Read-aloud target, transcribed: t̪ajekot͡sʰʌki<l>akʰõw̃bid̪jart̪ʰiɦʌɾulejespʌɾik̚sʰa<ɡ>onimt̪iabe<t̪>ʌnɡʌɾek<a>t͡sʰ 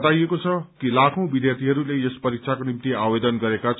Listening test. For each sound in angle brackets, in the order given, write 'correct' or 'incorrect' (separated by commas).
correct, incorrect, incorrect, correct